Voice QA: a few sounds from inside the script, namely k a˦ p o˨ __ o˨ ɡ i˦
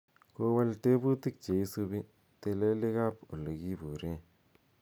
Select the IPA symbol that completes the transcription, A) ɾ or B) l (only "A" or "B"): B